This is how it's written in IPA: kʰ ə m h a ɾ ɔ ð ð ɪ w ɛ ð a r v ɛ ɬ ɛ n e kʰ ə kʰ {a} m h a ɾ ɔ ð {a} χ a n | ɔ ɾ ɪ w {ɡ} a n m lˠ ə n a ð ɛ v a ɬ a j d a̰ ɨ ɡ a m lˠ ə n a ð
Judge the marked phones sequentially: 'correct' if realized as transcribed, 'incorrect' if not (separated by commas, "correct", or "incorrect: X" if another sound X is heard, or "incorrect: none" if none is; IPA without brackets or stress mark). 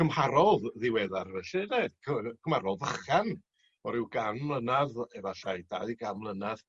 incorrect: ə, incorrect: ə, correct